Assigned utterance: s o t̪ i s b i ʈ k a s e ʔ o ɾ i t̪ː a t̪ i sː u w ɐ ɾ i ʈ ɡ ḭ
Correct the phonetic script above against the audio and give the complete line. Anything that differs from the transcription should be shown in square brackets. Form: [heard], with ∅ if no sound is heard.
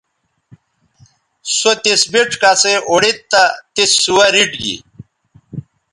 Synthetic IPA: s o t̪ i s b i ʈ k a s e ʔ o [ɽ] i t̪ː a t̪ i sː u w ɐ ɾ i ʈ ɡ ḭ